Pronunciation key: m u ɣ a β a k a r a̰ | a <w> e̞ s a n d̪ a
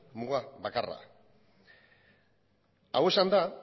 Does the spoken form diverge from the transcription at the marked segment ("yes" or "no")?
no